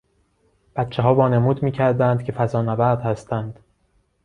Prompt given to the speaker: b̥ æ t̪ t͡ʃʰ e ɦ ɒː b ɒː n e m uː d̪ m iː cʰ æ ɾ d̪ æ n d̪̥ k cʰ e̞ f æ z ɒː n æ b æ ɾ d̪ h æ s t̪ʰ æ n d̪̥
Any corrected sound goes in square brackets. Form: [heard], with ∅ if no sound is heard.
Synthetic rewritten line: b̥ æ t̪ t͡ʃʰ e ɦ ɒː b ɒː n e m uː d̪ m iː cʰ æ ɾ d̪ æ n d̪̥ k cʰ e̞ f æ z ɒː n æ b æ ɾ d̪ h æ s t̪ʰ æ n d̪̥